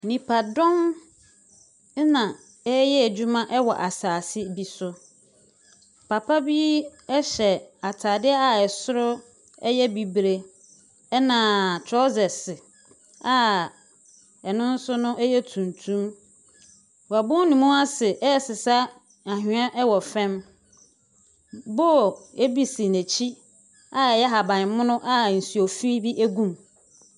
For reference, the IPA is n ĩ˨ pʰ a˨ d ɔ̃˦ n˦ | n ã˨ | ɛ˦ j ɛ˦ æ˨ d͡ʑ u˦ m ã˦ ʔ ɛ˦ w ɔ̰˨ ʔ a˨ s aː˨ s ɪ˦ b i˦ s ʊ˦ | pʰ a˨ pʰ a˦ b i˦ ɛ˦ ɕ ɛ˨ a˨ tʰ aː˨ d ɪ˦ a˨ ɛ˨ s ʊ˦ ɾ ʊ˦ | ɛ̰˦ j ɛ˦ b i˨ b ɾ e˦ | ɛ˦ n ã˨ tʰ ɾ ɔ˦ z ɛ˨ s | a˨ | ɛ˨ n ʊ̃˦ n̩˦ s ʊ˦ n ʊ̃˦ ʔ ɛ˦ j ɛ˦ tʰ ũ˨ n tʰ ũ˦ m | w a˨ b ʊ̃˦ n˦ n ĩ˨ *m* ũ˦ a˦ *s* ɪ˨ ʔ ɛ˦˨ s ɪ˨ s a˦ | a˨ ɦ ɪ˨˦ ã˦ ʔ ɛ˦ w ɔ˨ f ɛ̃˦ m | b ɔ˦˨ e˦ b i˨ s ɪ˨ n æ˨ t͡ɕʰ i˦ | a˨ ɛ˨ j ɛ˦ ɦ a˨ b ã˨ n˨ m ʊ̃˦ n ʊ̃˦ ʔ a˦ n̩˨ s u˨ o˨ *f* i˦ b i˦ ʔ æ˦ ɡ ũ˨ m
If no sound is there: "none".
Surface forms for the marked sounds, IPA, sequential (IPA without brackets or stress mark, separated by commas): m, s, f